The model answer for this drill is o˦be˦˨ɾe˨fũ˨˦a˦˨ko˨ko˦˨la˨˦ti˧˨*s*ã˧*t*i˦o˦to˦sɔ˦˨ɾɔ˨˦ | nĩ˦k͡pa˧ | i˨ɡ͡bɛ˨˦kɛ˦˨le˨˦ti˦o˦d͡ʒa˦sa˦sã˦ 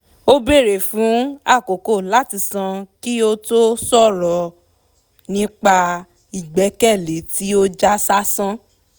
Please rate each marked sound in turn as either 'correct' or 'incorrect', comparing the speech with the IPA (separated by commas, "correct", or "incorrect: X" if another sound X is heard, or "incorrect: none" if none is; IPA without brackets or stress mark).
correct, incorrect: k